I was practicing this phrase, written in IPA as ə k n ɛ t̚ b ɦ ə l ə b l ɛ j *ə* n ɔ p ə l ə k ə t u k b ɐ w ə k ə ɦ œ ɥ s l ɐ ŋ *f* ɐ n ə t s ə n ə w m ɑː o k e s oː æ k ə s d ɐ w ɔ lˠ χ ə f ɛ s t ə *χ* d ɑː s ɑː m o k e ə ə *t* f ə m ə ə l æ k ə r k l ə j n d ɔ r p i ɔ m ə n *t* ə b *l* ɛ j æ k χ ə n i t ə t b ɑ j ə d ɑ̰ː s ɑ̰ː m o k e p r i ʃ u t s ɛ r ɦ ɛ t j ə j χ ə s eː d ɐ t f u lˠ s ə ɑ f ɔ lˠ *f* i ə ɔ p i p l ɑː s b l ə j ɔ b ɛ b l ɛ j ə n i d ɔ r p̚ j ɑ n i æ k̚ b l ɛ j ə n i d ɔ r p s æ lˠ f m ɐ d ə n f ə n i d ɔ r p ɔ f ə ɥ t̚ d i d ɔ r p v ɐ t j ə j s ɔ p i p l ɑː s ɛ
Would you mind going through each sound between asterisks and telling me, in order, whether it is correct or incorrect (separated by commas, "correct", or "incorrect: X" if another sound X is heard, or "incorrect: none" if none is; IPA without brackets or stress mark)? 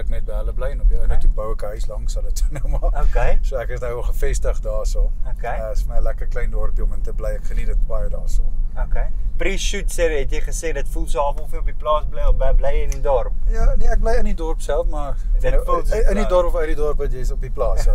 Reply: correct, incorrect: s, correct, incorrect: s, correct, correct, correct